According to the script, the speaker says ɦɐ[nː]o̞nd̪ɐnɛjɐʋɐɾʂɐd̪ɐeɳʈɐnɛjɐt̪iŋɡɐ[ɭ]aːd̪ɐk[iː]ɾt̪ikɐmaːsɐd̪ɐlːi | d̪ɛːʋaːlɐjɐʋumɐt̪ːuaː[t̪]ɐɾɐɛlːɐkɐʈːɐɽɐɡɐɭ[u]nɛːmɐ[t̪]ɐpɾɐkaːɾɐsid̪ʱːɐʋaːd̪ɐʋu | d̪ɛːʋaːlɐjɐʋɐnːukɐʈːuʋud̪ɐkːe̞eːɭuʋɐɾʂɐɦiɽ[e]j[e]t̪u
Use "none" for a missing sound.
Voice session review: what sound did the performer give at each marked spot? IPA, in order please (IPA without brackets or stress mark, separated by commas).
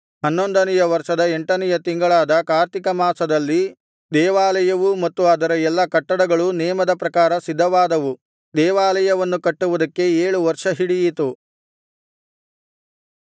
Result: nː, ɭ, aː, d̪, u, d̪, i, i